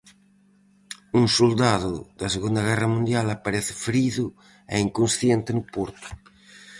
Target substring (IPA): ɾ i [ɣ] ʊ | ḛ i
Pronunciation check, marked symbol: incorrect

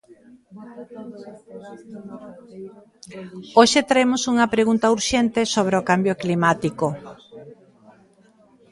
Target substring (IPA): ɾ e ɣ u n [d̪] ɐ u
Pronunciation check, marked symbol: incorrect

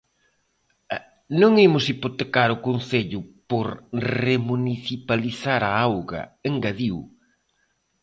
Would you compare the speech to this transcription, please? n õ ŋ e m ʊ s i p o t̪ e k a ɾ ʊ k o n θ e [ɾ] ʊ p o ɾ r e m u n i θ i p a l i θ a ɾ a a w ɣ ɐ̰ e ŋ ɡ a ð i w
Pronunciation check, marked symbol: incorrect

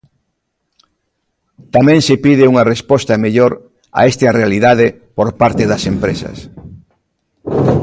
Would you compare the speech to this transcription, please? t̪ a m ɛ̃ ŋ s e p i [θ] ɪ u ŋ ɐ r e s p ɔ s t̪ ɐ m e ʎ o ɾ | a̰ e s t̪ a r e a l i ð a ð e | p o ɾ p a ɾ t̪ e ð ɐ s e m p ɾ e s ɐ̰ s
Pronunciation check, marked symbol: incorrect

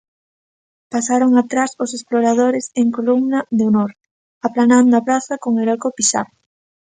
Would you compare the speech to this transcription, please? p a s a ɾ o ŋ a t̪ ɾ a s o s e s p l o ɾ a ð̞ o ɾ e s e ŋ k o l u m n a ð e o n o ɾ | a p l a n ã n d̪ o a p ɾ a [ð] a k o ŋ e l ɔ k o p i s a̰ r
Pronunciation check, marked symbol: incorrect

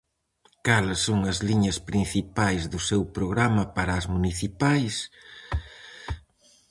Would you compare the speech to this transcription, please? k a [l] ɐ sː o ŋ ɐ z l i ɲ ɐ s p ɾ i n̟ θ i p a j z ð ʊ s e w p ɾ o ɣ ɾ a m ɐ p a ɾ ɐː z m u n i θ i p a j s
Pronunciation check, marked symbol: correct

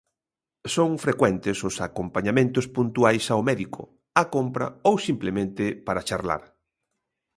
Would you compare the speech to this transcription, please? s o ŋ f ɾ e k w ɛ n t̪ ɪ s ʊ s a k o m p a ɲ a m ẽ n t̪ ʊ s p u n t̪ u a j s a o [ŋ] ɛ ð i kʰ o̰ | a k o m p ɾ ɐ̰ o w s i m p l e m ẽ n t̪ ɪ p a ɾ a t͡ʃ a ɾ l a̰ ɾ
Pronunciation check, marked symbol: incorrect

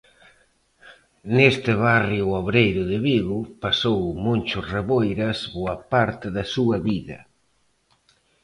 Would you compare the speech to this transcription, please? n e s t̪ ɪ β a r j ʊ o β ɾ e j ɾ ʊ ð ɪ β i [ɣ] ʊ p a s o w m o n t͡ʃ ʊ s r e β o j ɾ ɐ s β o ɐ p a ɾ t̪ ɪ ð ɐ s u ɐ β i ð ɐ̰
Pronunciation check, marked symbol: correct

